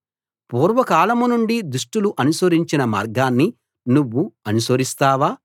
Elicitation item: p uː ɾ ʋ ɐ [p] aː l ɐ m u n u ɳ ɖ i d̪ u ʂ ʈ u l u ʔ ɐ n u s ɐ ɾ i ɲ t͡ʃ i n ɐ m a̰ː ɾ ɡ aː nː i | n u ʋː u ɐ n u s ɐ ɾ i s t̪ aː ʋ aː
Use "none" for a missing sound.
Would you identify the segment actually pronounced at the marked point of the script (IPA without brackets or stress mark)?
k